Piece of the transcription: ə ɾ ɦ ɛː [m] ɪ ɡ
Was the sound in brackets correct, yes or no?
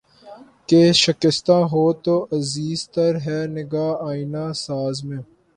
no